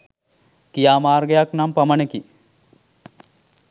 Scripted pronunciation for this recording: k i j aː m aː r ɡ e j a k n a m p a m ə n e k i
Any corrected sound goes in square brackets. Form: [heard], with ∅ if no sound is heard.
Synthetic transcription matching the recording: k i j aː m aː r ɡ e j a k n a m p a m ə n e k i